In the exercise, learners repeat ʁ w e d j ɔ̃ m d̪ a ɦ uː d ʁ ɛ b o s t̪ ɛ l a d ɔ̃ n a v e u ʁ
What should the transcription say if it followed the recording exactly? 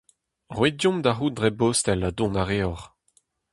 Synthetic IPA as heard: ʁ w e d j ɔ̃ m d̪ a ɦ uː d ʁ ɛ b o s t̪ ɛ l a d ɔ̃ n a ʁ e ɔ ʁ